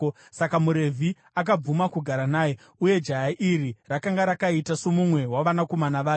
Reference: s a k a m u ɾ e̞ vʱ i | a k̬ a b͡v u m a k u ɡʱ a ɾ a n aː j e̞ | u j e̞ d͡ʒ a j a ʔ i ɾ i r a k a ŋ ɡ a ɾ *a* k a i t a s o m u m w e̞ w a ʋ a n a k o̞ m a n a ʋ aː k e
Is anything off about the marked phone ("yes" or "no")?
no